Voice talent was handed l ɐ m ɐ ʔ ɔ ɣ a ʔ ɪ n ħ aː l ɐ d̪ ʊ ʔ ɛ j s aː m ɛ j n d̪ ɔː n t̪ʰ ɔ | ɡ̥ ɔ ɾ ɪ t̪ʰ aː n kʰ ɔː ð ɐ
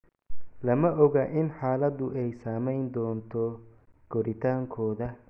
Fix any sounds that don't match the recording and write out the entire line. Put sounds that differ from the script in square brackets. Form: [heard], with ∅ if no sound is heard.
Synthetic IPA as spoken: l ɐ m ɐ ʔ ɔ ɣ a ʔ ɪ n ħ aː l ɐ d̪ ʊ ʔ ɛ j s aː m ɛ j n d̪ ɔː n t̪ʰ ɔ | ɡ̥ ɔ ɾ ɪ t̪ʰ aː [ŋ] kʰ ɔː ð ɐ